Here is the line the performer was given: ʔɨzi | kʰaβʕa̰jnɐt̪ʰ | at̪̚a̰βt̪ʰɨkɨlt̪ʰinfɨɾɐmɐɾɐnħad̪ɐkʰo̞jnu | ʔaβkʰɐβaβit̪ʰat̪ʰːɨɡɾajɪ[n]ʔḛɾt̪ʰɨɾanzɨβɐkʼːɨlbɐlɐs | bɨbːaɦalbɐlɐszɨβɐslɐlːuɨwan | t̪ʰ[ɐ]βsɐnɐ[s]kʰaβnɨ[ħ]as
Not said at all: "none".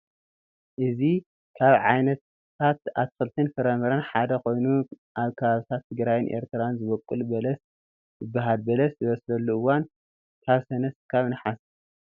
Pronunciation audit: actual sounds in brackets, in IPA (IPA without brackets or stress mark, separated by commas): n, a, s, ħ